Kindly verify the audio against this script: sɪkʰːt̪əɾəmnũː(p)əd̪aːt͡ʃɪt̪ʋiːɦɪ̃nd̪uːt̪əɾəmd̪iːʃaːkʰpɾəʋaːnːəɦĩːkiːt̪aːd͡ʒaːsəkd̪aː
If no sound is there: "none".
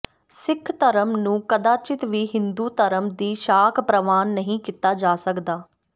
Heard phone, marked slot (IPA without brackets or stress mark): k